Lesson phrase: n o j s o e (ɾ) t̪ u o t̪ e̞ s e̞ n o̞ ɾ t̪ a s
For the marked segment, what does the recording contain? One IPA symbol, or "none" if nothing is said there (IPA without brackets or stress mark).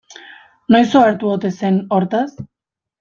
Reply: ɾ